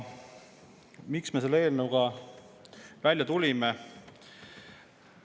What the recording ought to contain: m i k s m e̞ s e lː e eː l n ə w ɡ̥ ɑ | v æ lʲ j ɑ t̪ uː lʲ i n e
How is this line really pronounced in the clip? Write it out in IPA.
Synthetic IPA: m i k s m e̞ s e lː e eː l n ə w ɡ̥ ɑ | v æ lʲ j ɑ t̪ u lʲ i m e